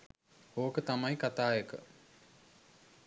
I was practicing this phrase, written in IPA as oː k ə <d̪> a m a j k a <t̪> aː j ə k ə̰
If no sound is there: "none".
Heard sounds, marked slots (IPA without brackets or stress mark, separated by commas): t̪, t̪